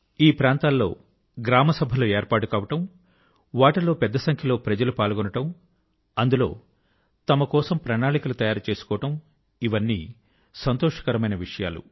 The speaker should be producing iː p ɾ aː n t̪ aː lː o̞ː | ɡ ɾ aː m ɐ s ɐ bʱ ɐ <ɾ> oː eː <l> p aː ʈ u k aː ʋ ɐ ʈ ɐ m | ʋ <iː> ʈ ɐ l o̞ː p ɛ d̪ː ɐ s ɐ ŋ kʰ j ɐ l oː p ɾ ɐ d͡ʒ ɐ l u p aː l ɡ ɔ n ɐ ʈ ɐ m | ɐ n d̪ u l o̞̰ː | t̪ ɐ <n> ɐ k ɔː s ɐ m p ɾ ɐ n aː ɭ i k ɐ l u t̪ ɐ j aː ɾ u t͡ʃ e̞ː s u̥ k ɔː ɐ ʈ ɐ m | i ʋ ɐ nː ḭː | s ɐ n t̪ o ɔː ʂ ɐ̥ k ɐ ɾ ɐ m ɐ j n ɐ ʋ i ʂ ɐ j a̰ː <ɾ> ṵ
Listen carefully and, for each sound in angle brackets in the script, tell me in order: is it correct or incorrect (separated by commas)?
incorrect, incorrect, incorrect, incorrect, incorrect